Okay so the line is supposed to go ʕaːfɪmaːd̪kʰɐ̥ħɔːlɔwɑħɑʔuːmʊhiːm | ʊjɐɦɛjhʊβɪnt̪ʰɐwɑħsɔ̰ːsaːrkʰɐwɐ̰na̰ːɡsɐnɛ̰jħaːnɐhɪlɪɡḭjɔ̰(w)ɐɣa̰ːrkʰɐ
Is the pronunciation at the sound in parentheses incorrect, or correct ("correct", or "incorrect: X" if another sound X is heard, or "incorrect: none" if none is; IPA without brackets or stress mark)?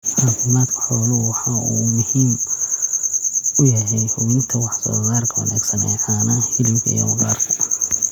correct